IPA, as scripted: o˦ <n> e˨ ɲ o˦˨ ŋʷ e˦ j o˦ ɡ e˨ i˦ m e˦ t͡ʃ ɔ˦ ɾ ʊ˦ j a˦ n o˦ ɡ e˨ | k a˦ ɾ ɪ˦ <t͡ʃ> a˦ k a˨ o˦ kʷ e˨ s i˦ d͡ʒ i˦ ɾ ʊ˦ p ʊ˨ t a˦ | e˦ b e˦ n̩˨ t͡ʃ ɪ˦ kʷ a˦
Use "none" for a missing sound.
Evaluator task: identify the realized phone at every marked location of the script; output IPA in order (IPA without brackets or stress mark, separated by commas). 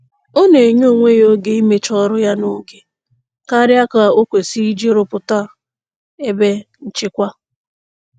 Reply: n, none